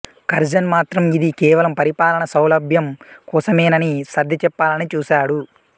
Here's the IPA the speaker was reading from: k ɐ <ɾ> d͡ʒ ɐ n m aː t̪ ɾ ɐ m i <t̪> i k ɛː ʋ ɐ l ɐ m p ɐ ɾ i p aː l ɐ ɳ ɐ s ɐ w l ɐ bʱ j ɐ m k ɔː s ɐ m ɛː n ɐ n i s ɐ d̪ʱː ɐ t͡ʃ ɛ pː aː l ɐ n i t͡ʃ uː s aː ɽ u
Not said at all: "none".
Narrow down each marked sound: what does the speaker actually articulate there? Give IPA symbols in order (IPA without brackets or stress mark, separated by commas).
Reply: ɾ, d̪